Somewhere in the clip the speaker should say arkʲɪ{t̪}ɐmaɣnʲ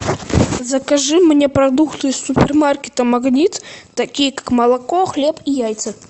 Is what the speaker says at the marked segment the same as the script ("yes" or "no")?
yes